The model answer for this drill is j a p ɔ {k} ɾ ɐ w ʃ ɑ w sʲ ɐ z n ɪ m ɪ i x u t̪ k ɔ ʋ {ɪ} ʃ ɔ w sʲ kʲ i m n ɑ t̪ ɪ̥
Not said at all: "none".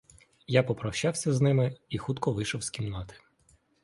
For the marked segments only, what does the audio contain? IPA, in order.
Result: p, ɪ

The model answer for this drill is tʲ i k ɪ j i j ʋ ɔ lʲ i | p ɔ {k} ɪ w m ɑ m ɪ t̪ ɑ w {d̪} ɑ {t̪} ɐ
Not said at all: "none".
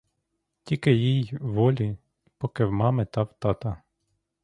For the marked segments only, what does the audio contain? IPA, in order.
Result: k, t̪, t̪

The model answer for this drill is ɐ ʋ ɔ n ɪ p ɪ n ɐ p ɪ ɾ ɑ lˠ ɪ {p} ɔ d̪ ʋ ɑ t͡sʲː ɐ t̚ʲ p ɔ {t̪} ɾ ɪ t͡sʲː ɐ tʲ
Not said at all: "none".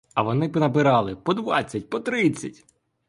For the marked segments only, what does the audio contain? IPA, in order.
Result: p, t̪

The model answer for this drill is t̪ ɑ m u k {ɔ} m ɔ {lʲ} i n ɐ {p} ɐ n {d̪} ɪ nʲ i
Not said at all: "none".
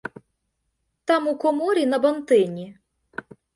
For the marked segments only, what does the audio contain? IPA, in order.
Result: ɔ, ɾʲ, b, t̪

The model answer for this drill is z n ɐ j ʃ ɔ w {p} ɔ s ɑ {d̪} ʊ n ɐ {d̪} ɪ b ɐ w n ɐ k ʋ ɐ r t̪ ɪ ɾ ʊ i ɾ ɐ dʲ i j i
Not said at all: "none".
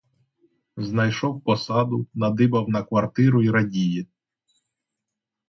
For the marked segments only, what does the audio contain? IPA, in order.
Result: p, d̪, d̪

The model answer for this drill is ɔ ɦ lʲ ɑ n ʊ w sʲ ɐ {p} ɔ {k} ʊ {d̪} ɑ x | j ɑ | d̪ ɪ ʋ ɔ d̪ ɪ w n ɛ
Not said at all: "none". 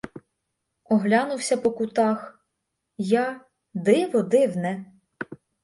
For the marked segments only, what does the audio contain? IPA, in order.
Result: p, k, t̪

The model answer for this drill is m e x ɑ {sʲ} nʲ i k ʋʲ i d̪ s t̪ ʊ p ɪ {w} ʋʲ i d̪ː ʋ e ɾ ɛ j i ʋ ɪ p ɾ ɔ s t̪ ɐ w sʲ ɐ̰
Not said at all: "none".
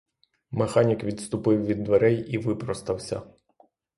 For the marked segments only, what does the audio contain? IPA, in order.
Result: none, w

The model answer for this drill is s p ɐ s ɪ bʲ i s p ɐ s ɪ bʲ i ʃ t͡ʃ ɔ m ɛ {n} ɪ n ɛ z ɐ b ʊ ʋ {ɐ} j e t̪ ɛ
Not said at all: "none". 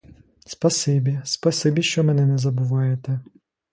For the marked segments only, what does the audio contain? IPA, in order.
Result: n, ɑ

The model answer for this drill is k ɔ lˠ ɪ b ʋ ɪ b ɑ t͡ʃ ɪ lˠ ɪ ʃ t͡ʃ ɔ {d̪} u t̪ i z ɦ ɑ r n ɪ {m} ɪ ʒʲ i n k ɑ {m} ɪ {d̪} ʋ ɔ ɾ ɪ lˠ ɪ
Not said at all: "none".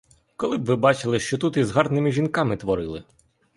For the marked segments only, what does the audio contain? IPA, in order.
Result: t̪, m, m, t̪

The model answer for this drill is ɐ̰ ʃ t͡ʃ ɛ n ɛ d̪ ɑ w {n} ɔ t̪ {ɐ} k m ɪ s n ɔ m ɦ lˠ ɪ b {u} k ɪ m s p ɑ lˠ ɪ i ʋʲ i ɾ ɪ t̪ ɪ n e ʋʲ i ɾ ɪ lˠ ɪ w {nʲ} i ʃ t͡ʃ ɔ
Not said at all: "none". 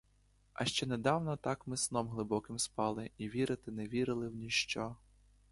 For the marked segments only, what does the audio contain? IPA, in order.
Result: n, ɑ, ɔ, nʲ

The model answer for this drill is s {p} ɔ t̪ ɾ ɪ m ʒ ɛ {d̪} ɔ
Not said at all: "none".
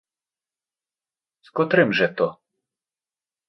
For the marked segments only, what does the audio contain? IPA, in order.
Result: k, t̪

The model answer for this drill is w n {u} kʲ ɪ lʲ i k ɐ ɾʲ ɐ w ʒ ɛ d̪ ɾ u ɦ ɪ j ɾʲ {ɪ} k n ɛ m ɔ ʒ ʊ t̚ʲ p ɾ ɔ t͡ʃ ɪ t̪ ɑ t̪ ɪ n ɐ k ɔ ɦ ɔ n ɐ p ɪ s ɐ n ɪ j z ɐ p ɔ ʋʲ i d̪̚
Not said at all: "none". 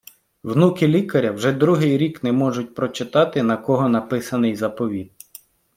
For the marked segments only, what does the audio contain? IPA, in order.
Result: u, i

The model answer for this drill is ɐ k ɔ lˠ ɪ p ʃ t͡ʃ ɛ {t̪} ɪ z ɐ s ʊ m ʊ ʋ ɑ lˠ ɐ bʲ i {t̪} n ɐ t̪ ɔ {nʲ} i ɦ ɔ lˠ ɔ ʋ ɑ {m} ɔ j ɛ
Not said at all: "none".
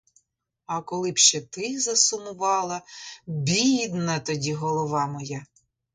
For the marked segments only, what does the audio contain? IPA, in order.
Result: t̪, d̪, dʲ, m

